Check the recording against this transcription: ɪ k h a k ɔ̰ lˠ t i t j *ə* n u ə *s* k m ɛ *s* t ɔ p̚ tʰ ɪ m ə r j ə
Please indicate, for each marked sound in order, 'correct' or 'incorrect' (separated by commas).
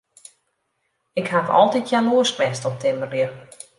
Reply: incorrect, correct, correct